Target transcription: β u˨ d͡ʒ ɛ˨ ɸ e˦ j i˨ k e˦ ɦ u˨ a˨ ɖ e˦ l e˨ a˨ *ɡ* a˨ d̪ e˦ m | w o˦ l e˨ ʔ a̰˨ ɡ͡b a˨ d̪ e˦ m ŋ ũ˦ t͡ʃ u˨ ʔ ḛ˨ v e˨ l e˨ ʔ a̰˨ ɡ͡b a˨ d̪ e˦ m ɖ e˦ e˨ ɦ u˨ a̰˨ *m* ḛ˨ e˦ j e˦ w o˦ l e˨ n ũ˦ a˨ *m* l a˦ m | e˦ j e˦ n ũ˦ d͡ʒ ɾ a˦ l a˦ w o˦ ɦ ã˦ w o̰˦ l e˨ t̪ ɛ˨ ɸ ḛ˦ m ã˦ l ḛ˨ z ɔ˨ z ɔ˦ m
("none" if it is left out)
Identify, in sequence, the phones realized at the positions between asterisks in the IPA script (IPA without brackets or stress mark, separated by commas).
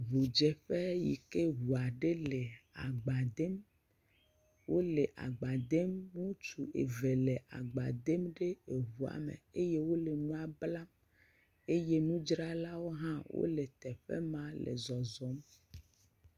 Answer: ɡ͡b, m, b